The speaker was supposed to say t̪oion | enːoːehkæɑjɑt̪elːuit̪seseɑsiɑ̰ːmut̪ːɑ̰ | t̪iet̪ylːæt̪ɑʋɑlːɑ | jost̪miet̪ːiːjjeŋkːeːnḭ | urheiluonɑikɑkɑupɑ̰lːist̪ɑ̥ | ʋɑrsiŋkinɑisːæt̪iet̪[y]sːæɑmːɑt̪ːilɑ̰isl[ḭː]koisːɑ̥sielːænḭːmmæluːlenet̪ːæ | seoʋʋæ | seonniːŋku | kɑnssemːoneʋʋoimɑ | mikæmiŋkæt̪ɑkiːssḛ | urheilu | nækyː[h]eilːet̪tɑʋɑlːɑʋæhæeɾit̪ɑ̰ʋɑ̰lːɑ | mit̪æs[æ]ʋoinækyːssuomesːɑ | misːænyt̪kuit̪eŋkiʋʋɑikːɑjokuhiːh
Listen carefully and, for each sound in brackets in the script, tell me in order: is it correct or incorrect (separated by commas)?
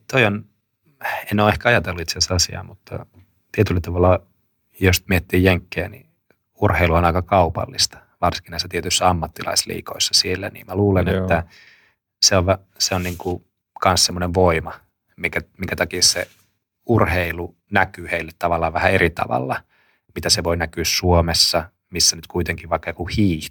correct, correct, correct, incorrect